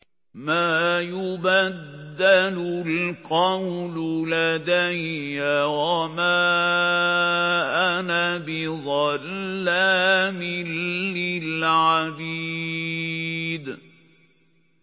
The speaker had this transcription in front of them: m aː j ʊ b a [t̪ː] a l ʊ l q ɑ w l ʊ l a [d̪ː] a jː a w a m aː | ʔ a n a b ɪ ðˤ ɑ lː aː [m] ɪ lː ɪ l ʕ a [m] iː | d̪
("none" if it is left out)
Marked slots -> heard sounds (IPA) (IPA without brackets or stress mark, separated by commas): d̪ː, d̪, m, b